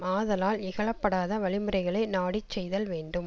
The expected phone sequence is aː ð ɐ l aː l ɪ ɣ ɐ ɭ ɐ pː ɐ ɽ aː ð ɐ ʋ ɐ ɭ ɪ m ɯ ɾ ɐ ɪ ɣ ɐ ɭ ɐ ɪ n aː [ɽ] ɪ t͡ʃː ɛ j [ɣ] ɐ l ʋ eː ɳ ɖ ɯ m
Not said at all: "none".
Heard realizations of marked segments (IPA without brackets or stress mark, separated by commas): ɽ, ð